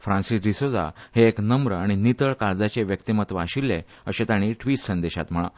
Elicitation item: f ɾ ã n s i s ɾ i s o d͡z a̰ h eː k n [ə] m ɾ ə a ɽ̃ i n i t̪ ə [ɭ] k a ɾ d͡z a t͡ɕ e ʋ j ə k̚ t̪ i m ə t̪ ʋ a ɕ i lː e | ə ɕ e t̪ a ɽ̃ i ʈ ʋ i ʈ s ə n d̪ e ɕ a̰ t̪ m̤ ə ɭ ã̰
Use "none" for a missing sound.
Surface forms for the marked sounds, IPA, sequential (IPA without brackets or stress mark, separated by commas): ə, ɭ